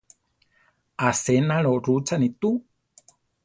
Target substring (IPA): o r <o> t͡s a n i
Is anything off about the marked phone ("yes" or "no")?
yes